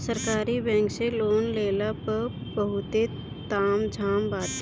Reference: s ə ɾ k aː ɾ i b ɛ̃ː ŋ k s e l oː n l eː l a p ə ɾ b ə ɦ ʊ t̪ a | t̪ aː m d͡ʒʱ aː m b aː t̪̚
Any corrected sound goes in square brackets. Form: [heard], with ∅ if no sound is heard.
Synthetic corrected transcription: s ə ɾ k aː ɾ i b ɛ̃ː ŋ k s e l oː n l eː l a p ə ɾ b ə ɦ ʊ t̪ [e] | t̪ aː m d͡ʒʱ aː m b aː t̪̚